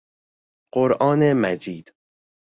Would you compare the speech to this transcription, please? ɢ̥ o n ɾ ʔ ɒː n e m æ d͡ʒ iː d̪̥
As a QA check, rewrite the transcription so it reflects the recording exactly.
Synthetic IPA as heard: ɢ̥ o ɾ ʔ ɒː n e m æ d͡ʒ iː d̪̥

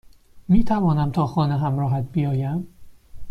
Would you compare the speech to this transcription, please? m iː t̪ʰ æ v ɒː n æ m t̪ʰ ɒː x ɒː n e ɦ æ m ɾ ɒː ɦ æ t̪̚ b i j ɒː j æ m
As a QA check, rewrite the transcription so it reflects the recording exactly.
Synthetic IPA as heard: m iː t̪ʰ æ v ɒː n æ m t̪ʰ ɒː x ɒː n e ɦ æ m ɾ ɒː ɦ æ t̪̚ b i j ɒː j æ m

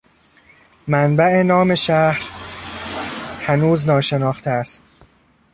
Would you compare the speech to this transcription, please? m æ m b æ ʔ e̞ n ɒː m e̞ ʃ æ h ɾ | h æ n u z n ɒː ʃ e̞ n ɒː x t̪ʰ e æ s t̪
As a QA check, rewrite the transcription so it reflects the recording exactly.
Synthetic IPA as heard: m æ n b æ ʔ e̞ n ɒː m e̞ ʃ æ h ɾ | h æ n uː z n ɒː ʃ e̞ n ɒː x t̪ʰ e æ s t̪

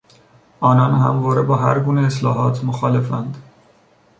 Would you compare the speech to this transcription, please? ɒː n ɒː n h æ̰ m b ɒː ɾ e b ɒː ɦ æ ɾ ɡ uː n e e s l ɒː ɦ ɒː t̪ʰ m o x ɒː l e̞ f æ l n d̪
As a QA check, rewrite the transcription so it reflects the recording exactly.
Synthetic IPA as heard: ɒː n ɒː n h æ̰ m v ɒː ɾ e b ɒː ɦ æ ɾ ɡ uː n e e s l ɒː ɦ ɒː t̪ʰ m o x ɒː l e̞ f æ n d̪

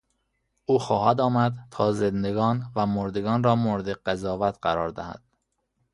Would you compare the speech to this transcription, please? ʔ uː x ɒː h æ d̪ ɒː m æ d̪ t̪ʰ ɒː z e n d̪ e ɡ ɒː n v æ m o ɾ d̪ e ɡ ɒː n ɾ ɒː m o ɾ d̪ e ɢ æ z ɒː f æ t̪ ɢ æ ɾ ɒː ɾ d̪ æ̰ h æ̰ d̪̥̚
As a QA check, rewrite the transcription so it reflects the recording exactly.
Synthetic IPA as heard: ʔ uː x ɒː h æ d̪ ɒː m æ d̪ t̪ʰ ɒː z e n d̪ e ɡ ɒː n v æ m o ɾ d̪ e ɡ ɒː n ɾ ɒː m o ɾ d̪ e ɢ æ z ɒː v æ t̪ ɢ æ ɾ ɒː ɾ d̪ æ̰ h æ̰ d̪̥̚

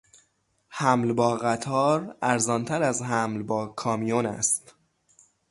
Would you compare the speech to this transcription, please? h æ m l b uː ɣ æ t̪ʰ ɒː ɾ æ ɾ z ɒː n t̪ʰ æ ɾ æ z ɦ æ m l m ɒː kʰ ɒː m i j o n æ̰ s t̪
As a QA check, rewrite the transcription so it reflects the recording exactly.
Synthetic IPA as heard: h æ m l b ɒː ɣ æ t̪ʰ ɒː ɾ æ ɾ z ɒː n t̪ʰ æ ɾ æ z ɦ æ m l b ɒː kʰ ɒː m i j o n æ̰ s t̪

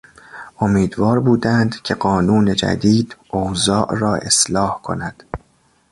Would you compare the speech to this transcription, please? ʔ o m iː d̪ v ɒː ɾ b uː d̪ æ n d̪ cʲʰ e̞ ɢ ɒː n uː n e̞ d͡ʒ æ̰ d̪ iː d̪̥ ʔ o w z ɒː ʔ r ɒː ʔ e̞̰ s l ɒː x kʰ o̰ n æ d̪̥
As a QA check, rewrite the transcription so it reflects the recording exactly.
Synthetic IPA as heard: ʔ o m iː d̪ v ɒː ɾ b uː d̪ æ n d̪ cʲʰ e̞ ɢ ɒː n uː n e̞ d͡ʒ æ̰ d̪ iː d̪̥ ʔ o w z ɒː ʔ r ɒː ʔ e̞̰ s l ɒː h kʰ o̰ n æ d̪̥

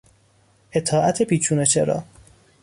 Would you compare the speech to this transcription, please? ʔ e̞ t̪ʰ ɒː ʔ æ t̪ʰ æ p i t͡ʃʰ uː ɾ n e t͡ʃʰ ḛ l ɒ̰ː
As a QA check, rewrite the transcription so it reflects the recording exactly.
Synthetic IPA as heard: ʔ e̞ t̪ʰ ɒː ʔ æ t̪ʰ e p iː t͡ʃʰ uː n e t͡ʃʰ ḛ ɾ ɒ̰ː

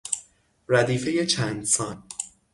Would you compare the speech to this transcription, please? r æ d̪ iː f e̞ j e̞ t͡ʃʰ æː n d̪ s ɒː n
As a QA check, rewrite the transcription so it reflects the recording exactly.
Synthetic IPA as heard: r æ d̪ iː f e̞ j e̞ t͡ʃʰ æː n d̪ s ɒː n

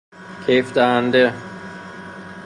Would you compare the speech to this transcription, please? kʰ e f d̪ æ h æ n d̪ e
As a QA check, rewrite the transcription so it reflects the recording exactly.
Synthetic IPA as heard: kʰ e f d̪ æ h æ n d̪ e

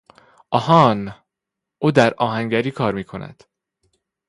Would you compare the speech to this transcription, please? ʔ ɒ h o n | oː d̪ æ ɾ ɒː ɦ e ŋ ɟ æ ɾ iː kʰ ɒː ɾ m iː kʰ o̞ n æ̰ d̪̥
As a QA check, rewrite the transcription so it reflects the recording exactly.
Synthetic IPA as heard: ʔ ɒ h ɒ n | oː d̪ æ ɾ ɒː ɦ æ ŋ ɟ æ ɾ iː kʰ ɒː ɾ m iː kʰ o̞ n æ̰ d̪̥

